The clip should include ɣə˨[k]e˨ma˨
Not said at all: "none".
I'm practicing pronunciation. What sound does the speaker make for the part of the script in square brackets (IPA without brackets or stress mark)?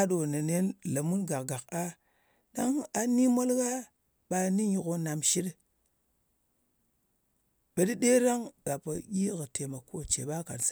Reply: t